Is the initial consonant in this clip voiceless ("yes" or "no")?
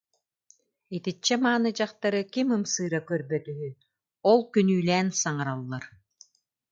yes